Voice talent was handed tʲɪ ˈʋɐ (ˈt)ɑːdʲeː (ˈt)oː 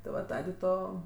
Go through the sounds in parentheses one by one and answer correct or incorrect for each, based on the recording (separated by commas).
correct, correct